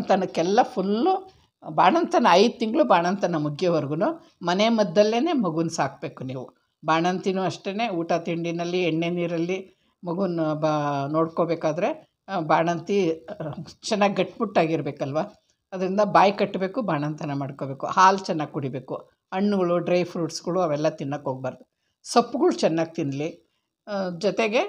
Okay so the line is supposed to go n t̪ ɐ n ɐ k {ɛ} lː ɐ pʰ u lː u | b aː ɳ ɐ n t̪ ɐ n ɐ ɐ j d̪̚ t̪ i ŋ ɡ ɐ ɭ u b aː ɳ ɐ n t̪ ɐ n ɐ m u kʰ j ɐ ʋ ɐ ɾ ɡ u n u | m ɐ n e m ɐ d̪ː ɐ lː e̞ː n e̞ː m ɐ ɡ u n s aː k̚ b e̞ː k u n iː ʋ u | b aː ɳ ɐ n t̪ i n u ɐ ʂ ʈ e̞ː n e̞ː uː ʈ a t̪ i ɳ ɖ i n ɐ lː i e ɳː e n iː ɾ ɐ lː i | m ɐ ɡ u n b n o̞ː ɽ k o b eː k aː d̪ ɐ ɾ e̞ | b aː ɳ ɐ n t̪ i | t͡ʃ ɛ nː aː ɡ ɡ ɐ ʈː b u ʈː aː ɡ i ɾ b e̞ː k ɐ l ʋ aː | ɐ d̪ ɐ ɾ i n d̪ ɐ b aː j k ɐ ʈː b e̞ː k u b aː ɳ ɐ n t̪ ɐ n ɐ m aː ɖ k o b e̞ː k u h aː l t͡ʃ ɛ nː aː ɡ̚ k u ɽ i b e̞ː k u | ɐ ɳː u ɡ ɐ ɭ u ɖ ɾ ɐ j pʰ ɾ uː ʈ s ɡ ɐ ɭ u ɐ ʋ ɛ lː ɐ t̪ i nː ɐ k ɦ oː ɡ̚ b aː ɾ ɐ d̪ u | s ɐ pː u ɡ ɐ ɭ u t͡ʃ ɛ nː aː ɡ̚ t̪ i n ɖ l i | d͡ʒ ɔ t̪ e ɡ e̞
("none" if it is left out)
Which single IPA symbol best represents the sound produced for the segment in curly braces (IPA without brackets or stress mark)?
ɛ